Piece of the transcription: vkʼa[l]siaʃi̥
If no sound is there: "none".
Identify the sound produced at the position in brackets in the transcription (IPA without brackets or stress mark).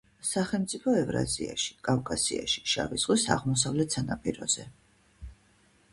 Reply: none